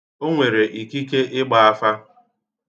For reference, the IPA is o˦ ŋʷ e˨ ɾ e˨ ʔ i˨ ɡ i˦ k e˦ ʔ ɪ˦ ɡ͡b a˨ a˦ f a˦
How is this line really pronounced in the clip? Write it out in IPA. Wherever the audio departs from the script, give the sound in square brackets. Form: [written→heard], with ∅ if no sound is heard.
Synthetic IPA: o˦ ŋʷ e˨ ɾ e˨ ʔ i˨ [ɡ→k] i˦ k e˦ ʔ ɪ˦ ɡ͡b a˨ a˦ f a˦

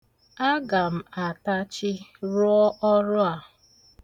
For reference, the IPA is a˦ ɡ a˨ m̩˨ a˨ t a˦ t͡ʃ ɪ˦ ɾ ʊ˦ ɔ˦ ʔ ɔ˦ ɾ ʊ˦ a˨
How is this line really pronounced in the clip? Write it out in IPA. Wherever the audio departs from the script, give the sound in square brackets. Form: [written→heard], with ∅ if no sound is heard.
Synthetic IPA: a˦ ɡ a˨ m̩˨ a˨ t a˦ t͡ʃ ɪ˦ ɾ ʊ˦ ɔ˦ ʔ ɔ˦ ɾ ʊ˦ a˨

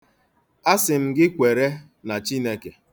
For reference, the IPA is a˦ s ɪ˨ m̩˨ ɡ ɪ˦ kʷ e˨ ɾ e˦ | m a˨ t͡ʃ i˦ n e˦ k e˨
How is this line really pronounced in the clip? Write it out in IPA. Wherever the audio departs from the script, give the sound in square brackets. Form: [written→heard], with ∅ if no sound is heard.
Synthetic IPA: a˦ s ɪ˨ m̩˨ ɡ ɪ˦ kʷ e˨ ɾ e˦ | [m→n] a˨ t͡ʃ i˦ n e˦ k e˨

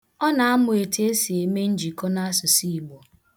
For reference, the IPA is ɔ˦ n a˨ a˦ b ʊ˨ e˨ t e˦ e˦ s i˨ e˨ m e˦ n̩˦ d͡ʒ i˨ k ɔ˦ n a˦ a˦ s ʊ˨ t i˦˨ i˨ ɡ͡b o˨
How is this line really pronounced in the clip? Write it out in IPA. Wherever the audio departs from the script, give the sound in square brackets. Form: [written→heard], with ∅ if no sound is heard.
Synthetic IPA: ɔ˦ n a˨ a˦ [b→m] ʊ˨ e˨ t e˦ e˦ s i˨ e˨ m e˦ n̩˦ d͡ʒ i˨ k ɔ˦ n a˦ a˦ s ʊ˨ [t→s] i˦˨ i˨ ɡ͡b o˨

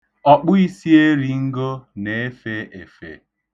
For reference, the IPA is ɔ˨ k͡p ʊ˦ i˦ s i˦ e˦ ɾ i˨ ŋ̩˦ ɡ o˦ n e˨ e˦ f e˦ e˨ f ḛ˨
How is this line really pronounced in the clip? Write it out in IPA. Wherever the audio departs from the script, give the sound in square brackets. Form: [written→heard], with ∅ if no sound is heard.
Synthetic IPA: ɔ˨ k͡p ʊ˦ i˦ s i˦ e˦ ɾ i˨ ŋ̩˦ ɡ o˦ n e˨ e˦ f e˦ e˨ f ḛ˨

